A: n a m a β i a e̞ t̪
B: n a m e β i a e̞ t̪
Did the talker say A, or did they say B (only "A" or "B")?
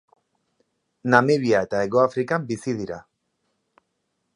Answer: B